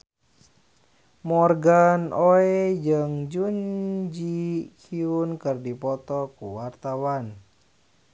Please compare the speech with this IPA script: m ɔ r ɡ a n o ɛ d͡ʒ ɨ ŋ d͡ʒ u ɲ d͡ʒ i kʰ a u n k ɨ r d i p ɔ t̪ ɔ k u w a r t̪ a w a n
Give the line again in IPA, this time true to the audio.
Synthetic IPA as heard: m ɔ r ɡ a n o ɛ d͡ʒ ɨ ŋ d͡ʒ u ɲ d͡ʒ i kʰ i u n k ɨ r d i p ɔ t̪ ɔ k u w a r t̪ a w a n